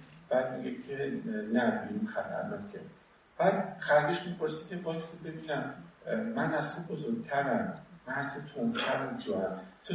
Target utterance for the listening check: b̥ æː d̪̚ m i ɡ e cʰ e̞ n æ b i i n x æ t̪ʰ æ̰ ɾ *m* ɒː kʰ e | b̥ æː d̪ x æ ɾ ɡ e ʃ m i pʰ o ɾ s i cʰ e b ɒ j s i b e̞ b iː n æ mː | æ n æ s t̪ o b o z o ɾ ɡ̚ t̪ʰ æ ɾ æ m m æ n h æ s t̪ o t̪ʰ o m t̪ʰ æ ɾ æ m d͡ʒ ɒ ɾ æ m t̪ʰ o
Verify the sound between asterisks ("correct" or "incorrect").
incorrect